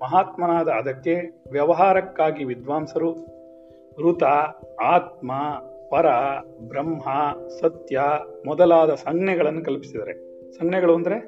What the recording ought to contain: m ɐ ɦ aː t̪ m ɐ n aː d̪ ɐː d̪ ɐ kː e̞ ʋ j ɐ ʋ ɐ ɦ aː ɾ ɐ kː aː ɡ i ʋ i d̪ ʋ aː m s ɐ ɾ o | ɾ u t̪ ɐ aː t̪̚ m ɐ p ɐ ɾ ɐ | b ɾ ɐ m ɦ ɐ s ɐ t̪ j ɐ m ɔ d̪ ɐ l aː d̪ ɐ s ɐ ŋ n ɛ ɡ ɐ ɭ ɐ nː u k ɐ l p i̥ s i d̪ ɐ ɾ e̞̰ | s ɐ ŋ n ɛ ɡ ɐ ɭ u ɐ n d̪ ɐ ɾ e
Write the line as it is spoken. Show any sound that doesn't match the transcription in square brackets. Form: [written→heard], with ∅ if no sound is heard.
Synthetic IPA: m ɐ ɦ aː t̪ m ɐ n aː d̪ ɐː d̪ ɐ kː e̞ ʋ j ɐ ʋ ɐ ɦ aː ɾ ɐ kː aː ɡ i ʋ i d̪ ʋ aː m s ɐ ɾ [o→u] | ɾ u t̪ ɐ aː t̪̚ m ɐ p ɐ ɾ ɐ | b ɾ ɐ m ɦ ɐ s ɐ t̪ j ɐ m ɔ d̪ ɐ l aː d̪ ɐ s ɐ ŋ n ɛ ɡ ɐ ɭ ɐ nː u k ɐ l p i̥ s i d̪ ɐ ɾ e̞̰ | s ɐ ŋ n ɛ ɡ ɐ ɭ u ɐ n d̪ ɐ ɾ e